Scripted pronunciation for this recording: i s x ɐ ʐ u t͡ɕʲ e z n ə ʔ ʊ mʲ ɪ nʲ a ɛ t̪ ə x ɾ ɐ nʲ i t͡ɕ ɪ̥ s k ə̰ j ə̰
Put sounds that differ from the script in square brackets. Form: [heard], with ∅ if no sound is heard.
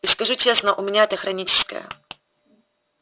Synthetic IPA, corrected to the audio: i s [k] ɐ ʐ u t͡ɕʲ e [s] n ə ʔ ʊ mʲ ɪ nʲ a ɛ t̪ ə x ɾ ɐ nʲ i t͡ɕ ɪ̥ s k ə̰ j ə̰